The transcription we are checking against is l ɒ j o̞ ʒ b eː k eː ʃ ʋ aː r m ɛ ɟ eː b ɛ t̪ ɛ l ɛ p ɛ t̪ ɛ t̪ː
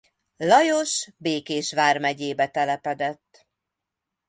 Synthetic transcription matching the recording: l ɒ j o̞ ʃ b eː k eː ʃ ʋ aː r m ɛ ɟ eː b ɛ t̪ ɛ l ɛ p ɛ d̪ ɛ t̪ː